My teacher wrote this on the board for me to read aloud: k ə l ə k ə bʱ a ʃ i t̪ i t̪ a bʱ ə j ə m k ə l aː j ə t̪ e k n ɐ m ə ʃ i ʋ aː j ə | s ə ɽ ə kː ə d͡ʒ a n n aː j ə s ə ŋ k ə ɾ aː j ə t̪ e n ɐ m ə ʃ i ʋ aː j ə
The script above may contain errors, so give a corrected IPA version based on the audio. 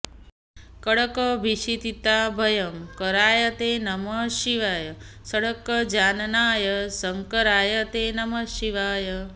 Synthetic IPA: k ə ɽ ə k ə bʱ i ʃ i t̪ i t̪ a bʱ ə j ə m k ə ɾ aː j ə t̪ e n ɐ m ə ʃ i ʋ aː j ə | s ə ɽ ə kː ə d͡ʒ a n n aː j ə s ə ŋ k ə ɾ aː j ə t̪ e n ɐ m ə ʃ i ʋ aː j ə